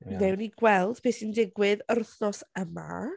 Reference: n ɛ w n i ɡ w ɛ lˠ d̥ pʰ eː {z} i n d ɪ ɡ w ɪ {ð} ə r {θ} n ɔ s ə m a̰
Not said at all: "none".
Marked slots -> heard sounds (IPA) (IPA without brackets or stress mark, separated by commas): s, ð, θ